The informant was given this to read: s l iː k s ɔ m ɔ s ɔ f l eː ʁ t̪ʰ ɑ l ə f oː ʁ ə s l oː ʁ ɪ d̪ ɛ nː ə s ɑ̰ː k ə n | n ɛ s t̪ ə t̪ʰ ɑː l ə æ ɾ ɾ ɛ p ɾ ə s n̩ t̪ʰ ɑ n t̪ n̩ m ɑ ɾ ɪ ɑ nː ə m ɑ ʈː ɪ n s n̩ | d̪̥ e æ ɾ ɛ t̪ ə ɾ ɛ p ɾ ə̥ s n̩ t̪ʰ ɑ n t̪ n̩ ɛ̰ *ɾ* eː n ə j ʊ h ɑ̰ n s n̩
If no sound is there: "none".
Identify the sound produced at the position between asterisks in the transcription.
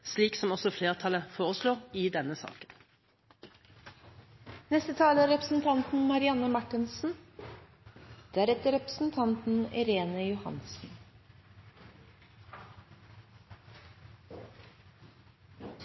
ɾ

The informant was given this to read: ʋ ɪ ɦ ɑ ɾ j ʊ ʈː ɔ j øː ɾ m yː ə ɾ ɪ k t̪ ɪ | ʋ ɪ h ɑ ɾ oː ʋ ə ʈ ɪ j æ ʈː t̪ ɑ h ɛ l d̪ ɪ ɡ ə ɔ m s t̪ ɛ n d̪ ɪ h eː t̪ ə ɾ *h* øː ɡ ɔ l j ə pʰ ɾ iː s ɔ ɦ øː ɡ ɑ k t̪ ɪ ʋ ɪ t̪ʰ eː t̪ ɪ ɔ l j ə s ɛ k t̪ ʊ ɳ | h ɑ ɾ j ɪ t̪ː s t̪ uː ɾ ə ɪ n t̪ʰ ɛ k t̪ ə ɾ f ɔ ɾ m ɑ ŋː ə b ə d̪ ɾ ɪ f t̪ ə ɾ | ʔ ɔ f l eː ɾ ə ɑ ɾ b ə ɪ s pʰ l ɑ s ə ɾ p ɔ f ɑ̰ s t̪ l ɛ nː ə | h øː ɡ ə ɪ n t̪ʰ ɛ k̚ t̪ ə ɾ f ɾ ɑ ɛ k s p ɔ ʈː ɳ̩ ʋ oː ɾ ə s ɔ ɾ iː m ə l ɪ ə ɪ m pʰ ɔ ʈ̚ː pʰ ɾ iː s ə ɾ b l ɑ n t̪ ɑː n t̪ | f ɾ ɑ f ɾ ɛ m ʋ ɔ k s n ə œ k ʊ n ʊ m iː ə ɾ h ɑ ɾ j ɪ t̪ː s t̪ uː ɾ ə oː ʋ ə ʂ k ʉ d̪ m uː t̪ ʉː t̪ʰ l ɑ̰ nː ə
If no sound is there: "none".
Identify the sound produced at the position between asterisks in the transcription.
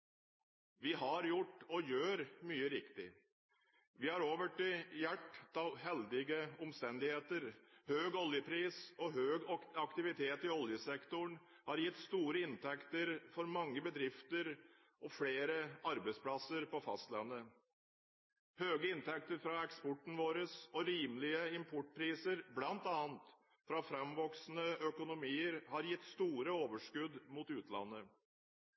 h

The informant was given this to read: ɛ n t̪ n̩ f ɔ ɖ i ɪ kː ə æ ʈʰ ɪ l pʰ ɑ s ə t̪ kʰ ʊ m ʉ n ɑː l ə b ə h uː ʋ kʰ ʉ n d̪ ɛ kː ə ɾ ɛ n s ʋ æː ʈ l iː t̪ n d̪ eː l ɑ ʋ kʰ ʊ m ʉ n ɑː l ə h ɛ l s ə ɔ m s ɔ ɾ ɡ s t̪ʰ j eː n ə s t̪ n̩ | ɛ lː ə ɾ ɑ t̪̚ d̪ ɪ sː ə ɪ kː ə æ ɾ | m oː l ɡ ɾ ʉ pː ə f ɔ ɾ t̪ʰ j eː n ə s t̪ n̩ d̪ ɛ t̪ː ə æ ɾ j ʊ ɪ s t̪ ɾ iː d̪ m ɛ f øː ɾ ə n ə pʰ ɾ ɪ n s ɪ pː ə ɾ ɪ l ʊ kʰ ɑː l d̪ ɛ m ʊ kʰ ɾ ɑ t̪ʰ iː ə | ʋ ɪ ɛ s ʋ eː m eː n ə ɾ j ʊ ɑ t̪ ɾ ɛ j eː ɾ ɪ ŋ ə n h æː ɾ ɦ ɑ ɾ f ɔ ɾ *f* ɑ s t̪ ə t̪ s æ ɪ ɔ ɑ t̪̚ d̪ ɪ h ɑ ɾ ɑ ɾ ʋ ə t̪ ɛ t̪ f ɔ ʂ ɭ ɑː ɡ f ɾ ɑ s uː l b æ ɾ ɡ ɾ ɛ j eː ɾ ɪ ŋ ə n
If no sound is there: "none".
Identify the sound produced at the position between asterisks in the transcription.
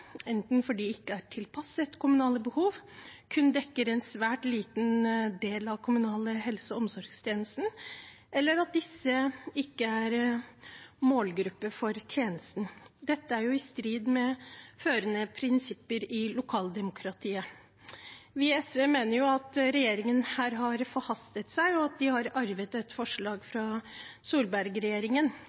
h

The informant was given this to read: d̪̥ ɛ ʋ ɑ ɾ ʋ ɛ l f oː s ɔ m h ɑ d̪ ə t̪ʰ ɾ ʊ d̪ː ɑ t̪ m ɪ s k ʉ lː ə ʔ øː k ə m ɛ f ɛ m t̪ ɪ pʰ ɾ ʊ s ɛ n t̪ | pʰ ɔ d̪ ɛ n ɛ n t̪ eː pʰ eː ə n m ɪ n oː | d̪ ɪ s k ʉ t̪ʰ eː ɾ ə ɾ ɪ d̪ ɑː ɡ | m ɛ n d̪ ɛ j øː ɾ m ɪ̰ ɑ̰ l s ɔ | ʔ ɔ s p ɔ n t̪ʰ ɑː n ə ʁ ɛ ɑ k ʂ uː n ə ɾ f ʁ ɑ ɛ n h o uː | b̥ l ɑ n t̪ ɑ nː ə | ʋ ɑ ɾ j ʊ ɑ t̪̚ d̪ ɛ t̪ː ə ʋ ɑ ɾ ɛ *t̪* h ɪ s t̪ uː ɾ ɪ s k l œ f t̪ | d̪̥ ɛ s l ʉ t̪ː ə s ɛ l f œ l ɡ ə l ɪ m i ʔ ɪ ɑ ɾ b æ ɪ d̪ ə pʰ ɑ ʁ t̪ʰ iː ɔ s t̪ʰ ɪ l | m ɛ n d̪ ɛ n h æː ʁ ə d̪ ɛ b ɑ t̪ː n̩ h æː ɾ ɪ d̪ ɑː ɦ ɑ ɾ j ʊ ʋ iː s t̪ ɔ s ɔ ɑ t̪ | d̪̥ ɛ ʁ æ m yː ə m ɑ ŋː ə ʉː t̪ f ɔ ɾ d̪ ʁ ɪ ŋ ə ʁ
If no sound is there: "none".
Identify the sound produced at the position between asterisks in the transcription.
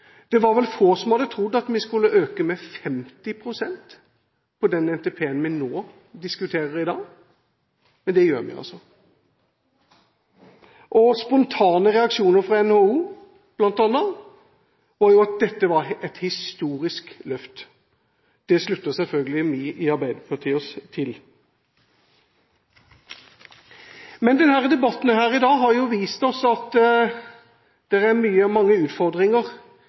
t̪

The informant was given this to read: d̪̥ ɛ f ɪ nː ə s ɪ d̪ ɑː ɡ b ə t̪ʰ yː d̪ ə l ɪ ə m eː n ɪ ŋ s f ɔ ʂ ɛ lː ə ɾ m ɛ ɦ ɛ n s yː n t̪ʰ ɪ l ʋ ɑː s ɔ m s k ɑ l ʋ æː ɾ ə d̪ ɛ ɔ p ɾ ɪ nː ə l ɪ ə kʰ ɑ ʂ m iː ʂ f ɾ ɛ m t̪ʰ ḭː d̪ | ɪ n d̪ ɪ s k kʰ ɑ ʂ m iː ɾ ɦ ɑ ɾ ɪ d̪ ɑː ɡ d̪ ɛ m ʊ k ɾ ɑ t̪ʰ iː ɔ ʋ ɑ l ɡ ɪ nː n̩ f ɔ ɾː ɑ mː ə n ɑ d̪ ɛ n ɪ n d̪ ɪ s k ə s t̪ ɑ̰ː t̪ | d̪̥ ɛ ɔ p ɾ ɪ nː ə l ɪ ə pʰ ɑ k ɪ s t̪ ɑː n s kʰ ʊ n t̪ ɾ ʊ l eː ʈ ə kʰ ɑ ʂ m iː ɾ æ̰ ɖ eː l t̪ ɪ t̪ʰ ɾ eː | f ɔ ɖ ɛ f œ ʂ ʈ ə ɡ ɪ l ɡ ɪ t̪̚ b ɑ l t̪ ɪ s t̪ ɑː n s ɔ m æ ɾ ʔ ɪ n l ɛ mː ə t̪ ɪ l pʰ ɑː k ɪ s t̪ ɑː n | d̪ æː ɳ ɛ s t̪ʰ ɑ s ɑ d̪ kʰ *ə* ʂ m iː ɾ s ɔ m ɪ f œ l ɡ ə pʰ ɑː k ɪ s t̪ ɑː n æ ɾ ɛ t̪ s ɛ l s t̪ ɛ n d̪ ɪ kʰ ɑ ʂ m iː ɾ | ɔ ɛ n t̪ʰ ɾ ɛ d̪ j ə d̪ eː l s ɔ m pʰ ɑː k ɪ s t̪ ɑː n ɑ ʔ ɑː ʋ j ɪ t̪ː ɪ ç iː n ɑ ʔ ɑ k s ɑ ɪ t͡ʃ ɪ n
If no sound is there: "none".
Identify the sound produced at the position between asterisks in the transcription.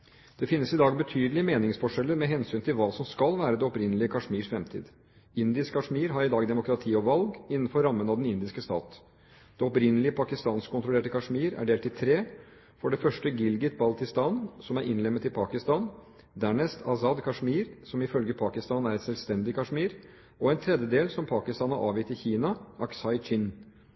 ɑ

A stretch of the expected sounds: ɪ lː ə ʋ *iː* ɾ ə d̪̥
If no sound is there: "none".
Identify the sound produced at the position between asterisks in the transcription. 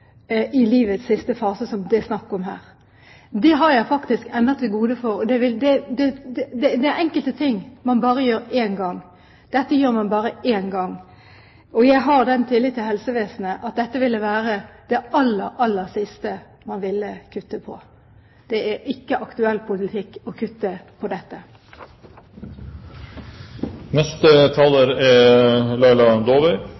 æː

